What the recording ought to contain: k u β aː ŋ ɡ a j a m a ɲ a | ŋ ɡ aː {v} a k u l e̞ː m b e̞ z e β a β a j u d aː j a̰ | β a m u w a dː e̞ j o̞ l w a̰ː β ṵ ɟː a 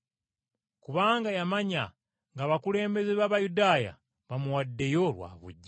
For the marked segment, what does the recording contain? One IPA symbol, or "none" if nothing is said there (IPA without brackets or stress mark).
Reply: β